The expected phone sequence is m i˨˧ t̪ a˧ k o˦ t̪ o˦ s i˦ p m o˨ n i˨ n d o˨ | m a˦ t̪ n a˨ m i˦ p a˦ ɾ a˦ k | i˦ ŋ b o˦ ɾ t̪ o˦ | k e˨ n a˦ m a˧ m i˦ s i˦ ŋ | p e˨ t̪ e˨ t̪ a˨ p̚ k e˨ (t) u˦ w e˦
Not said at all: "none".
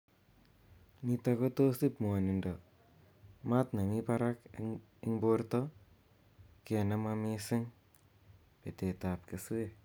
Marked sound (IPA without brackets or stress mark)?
s